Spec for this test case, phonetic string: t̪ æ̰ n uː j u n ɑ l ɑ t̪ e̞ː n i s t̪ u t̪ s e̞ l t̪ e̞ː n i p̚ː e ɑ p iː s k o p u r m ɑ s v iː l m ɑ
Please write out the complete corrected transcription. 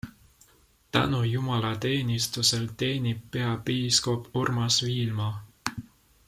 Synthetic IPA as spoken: t̪ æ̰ n u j u m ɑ l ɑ t̪ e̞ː n i s t̪ u s e̞ l t̪ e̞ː n i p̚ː e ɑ p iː s k o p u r m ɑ s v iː l m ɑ